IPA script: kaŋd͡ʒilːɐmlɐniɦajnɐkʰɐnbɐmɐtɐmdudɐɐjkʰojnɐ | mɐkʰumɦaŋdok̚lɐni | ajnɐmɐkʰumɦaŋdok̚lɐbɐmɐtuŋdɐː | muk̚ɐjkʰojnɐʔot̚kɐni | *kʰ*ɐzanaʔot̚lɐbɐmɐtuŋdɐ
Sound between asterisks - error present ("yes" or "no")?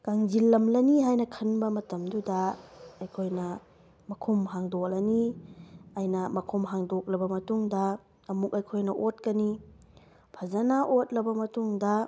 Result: yes